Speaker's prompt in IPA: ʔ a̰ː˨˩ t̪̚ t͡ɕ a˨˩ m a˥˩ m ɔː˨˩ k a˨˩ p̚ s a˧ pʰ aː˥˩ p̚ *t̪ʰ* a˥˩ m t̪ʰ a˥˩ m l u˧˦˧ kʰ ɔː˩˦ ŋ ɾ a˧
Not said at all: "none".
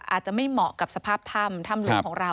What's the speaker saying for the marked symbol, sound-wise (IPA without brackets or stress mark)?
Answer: t̪ʰ